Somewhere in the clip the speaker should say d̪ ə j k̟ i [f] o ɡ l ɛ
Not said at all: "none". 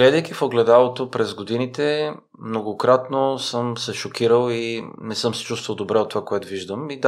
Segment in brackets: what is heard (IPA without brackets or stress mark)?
f